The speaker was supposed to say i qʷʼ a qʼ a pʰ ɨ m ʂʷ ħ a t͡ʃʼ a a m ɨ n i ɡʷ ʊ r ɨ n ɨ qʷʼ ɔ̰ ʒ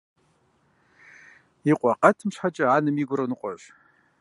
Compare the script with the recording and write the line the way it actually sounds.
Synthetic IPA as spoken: i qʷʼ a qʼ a tʰ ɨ m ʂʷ ħ a t͡ʃʼ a a n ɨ m i ɡʷ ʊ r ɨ n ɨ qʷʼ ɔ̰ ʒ

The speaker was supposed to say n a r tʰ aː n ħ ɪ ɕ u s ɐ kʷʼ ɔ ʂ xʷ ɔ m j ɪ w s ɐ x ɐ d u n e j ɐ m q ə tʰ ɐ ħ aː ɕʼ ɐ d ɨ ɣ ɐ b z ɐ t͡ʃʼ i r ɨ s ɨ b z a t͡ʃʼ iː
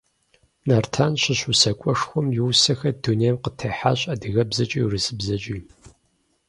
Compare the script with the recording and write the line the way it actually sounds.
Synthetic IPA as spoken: n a r tʰ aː n ɕ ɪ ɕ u s ɐ kʷʼ ɔ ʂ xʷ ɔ m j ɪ w s ɐ x ɐ d u n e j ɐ m q ə tʰ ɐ ħ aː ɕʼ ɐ d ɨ ɣ ɐ b z ɐ t͡ʃʼ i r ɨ s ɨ b z ɐ t͡ʃʼ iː

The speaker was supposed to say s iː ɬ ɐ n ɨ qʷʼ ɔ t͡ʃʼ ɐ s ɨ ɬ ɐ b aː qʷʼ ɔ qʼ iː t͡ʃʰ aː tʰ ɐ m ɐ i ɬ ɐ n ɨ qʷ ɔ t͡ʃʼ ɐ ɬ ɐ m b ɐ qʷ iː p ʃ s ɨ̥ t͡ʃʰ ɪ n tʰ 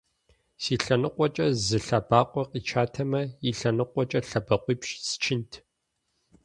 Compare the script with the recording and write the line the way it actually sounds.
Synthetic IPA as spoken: s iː ɬ ɐ n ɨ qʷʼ ɔ t͡ʃʼ ɐ z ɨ ɬ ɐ b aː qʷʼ ɔ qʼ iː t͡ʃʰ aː tʰ ɐ m ɐ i ɬ ɐ n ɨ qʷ ɔ t͡ʃʼ ɐ ɬ ɐ b ɐ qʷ iː p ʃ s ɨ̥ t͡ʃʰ ɪ n tʰ

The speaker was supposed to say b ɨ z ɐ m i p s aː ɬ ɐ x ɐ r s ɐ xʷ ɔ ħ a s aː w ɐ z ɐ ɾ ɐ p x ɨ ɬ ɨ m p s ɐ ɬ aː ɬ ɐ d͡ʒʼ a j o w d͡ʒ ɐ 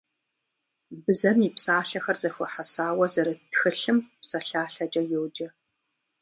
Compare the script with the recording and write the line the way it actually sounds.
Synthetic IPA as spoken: b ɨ z ɐ m i p s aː ɬ ɐ x ɐ r z ɐ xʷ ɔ ħ a s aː w ɐ z ɐ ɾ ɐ t x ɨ ɬ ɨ m p s ɐ ɬ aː ɬ ɐ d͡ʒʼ ɐ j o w d͡ʒ ɐ

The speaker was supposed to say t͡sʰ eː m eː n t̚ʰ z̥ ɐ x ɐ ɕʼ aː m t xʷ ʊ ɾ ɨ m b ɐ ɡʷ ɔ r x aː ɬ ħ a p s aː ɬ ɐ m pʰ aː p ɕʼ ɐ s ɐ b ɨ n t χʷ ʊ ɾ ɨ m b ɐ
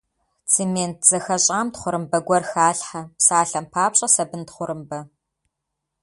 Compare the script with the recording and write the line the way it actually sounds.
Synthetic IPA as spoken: t͡sʰ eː m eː n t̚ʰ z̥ ɐ x ɐ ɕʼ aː m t χʷ ʊ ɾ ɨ m b ɐ ɡʷ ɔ r x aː ɬ ħ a p s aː ɬ ɐ m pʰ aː p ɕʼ ɐ s ɐ b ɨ n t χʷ ʊ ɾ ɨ m b ɐ

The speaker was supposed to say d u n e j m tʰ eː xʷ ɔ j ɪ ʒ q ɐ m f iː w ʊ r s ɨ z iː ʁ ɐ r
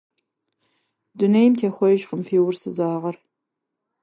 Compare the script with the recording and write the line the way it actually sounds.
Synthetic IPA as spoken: d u n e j m tʰ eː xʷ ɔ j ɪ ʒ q ə m f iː w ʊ r s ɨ z aː ʁ ɐ r

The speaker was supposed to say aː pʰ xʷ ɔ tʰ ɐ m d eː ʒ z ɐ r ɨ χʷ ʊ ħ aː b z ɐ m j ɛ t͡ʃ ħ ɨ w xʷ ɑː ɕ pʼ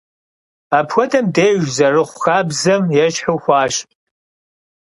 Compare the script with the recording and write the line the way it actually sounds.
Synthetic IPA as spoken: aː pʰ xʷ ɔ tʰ ɐ m d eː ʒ z ɐ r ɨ χʷ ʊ x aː b z ɐ m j ɛ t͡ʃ ħ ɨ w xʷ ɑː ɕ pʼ

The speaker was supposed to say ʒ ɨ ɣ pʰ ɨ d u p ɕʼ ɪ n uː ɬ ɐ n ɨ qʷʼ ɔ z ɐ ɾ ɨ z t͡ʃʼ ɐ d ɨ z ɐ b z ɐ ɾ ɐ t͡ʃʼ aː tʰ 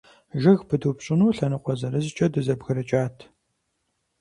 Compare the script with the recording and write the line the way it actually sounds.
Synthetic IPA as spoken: ʒ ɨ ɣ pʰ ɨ d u p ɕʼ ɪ n uː ɬ ɐ n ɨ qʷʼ ɔ z ɐ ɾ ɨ z t͡ʃʼ ɐ d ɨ z ɐ b ɣ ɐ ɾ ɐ t͡ʃʼ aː tʰ

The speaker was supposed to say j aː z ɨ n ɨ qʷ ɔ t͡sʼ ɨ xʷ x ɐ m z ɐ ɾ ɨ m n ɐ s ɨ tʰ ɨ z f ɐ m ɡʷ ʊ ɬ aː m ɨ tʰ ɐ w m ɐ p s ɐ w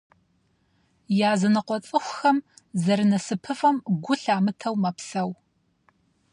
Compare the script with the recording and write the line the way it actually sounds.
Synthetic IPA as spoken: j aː z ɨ n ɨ qʷ ɔ t͡sʼ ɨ xʷ x ɐ m z ɐ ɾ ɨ n ɐ s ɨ pʰ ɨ f ɐ m ɡʷ ʊ ɬ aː m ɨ tʰ ɐ w m ɐ p s ɐ w

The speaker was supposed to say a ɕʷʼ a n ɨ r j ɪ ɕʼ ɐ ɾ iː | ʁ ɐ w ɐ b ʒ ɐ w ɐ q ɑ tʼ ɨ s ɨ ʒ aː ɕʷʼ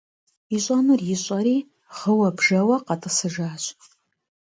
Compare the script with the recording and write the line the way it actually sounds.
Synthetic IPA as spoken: i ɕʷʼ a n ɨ r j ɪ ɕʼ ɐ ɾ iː | ʁ ə w ɐ b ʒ ɐ w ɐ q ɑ tʼ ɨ s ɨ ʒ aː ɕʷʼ

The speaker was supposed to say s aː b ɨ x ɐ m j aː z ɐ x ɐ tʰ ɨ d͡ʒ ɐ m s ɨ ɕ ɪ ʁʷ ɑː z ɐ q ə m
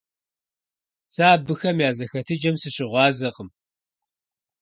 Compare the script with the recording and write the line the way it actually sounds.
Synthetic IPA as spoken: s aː b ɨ x ɐ m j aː z ɐ x ɐ tʰ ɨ d͡ʒ ɐ m s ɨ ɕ ɪ ʁʷ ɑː z ɐ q ə m

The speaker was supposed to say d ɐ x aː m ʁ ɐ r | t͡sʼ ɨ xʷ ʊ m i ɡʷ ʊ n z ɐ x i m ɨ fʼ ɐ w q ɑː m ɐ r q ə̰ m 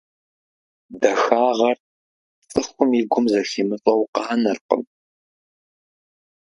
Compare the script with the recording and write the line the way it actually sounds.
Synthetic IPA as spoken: d ɐ x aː ʁ ɐ r | t͡sʼ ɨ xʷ ʊ m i ɡʷ ʊ m z ɐ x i m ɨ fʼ ɐ w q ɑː n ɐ r q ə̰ m

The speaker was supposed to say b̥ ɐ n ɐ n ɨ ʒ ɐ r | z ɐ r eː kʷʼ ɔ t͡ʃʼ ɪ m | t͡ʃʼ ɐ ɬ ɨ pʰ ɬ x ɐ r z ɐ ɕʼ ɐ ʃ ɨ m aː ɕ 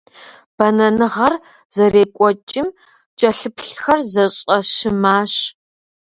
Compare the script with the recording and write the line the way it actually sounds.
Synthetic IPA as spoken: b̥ ɐ n ɐ n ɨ ʁ ɐ r | z ɐ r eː kʷʼ ɔ t͡ʃʼ ɪ m | t͡ʃʼ ɐ ɬ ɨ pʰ ɬ x ɐ r z ɐ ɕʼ ɐ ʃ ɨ m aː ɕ

